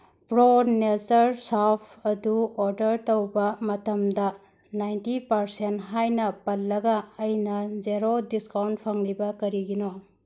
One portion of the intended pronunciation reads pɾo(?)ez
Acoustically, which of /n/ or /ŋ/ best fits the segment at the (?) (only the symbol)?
n